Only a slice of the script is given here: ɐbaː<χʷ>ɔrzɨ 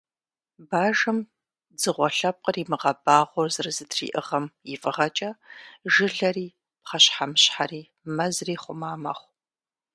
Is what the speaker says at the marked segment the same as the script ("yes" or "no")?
no